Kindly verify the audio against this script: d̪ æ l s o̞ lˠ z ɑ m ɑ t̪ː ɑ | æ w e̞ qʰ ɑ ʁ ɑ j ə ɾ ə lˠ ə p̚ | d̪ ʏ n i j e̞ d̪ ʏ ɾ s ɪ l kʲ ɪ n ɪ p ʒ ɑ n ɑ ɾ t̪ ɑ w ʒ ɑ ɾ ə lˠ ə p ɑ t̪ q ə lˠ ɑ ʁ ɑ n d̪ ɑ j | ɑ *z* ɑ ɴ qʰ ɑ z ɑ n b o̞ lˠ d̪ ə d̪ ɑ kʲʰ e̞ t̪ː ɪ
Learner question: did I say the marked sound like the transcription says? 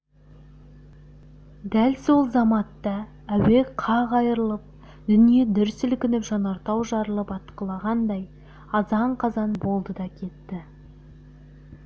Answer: yes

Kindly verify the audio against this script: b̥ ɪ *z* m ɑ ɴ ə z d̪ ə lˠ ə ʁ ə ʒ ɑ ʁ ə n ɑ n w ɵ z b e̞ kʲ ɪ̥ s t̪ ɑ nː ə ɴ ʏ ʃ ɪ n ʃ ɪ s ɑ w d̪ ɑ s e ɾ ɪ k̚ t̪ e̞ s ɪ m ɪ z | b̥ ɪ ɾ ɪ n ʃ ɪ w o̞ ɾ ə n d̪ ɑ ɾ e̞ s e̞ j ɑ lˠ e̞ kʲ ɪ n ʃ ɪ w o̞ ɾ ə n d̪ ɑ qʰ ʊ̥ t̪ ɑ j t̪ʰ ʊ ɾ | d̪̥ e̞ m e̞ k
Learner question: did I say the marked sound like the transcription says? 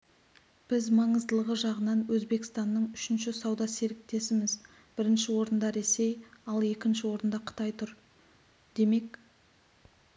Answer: yes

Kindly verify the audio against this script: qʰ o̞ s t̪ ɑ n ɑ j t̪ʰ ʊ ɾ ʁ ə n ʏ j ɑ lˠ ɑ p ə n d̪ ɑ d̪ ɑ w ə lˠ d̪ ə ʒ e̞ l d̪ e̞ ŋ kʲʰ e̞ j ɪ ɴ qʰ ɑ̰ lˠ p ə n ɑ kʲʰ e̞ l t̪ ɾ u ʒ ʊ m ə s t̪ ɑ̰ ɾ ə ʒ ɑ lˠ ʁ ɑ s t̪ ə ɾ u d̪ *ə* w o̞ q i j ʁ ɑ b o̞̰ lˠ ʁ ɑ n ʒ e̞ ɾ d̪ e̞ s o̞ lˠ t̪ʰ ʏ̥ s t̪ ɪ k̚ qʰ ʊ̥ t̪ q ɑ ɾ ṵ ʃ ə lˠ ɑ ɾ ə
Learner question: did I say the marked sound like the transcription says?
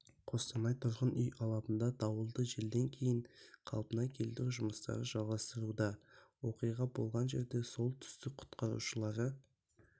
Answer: no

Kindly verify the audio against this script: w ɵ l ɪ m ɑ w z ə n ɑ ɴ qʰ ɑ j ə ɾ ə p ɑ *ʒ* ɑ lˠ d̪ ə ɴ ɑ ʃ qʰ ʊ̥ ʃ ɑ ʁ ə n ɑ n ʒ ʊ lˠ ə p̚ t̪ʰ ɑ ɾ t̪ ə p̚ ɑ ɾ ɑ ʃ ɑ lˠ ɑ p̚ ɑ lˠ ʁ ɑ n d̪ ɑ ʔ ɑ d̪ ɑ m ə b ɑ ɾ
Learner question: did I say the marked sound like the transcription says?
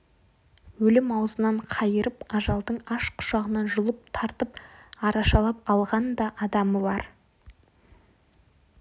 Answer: yes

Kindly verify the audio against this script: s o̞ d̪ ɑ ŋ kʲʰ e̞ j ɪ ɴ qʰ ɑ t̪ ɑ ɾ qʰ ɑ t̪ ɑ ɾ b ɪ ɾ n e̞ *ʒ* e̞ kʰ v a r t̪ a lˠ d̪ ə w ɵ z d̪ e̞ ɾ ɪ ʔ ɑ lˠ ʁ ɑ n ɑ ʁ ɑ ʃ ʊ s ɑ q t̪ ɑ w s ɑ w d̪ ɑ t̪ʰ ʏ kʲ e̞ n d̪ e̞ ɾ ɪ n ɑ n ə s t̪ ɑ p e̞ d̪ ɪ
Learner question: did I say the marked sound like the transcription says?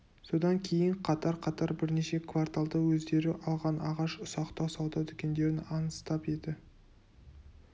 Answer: no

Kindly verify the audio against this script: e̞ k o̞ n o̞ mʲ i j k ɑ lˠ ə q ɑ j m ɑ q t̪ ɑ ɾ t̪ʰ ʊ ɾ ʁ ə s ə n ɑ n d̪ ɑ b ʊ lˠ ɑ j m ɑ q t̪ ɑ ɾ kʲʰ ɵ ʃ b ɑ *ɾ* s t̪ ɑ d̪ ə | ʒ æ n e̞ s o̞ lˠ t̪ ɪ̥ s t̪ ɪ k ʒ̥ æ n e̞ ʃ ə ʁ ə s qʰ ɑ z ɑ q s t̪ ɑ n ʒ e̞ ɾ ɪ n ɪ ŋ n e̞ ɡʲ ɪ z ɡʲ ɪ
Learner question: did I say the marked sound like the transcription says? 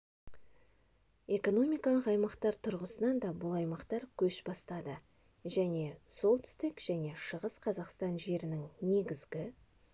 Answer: no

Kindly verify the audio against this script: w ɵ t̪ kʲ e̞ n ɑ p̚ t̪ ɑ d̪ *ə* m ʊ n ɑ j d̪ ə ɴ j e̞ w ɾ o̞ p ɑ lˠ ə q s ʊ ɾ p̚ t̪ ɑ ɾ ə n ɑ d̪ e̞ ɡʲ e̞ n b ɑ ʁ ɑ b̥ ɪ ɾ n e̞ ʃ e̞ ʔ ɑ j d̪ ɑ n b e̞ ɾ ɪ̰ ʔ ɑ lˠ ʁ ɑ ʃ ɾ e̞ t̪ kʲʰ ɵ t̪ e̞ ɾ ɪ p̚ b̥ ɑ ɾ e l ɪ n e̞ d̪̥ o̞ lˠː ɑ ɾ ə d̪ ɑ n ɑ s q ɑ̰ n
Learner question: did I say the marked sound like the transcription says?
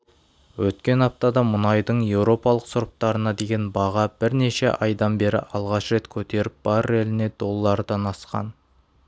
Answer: no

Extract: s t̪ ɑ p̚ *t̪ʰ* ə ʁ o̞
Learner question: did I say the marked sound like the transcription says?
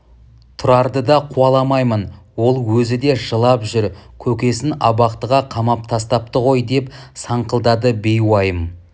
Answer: no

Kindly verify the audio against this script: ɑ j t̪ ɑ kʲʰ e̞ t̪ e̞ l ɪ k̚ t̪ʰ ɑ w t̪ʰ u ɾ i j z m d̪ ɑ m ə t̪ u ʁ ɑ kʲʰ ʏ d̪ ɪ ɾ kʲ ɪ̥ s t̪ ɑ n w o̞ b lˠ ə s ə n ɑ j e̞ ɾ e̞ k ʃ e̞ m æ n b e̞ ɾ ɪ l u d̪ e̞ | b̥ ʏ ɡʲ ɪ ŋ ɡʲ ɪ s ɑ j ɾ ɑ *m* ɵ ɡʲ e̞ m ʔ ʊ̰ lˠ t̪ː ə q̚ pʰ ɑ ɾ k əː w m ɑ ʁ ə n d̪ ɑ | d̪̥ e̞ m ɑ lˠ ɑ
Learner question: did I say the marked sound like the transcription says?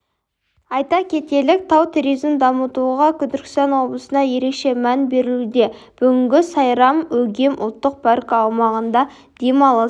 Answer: yes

